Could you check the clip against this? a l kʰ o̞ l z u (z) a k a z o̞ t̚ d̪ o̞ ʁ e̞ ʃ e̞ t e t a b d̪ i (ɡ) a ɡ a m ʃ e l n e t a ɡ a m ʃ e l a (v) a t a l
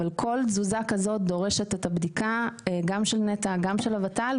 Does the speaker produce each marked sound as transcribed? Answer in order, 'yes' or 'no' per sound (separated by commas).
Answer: yes, no, yes